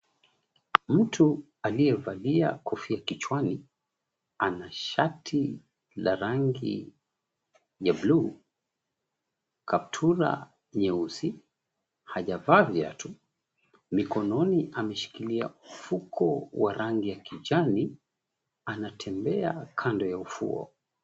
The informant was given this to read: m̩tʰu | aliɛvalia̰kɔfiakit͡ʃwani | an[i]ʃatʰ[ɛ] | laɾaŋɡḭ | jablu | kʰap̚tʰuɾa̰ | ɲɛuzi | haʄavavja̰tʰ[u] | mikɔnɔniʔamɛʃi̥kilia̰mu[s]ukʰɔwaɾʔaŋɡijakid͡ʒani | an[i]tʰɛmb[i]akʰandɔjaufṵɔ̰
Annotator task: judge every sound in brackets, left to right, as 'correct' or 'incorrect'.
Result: incorrect: a, incorrect: i, correct, incorrect: f, incorrect: a, incorrect: ɛ

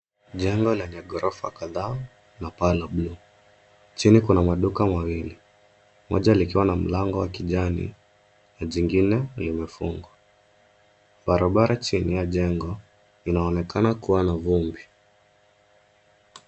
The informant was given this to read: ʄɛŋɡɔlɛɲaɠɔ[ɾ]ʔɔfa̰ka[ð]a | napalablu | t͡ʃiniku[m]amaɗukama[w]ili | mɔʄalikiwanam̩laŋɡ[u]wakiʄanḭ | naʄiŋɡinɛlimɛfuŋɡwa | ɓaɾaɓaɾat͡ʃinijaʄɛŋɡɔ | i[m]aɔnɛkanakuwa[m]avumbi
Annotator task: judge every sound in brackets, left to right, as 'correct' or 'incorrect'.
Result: correct, correct, incorrect: n, correct, incorrect: ɔ, incorrect: n, incorrect: n

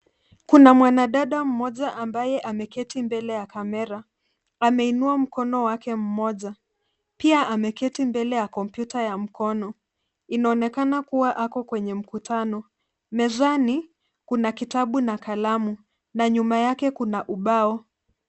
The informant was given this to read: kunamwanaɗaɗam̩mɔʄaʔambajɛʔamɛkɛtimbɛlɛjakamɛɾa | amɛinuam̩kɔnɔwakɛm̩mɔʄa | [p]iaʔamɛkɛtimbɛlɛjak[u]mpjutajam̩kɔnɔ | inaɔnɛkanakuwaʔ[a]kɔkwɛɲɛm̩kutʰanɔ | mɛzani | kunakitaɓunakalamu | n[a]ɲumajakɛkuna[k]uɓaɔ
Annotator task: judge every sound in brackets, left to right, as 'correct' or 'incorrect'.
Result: correct, incorrect: ɔ, correct, correct, incorrect: ʔ

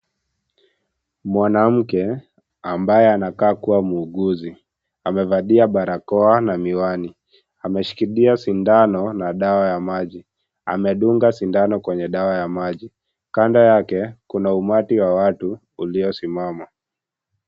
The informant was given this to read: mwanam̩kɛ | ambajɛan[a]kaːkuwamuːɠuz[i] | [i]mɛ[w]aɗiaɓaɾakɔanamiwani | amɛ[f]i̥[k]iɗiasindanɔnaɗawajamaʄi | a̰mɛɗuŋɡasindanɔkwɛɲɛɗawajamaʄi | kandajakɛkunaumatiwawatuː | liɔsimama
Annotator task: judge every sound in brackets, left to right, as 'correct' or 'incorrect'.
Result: correct, correct, incorrect: a, incorrect: v, incorrect: ʃ, correct

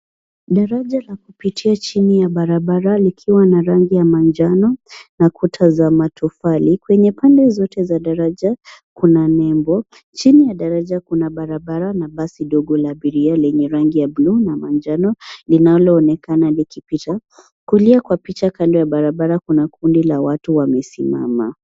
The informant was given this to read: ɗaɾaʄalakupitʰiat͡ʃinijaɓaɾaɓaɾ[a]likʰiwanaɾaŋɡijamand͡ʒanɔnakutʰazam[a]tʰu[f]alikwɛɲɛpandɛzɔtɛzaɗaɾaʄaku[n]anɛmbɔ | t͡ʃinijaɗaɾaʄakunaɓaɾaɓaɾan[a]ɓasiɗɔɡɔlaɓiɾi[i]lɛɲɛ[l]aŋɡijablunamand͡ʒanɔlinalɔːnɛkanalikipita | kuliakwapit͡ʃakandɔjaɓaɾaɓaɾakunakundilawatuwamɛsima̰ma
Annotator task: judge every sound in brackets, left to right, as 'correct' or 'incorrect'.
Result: correct, correct, correct, correct, correct, incorrect: a, incorrect: ɾ

